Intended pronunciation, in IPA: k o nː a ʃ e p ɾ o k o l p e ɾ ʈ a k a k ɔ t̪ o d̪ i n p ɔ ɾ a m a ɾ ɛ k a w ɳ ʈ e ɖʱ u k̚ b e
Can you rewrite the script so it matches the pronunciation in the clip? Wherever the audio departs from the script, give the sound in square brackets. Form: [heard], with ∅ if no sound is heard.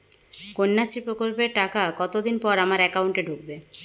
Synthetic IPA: k o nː a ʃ [i] p ɾ o k o l p e ɾ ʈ a k a k ɔ t̪ o d̪ i n p ɔ ɾ a m a ɾ ɛ k a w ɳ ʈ e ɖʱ u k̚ b e